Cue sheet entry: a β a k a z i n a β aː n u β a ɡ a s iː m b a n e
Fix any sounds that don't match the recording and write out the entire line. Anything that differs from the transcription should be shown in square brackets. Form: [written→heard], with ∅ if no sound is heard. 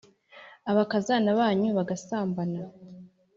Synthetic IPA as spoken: a β a k a z [i→a] n a β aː [n→ɲ] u β a ɡ a s [iː→aː] m b a n [e→a]